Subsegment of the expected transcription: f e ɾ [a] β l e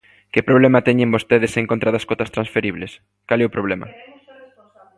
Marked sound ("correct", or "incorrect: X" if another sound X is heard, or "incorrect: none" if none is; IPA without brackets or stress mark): incorrect: i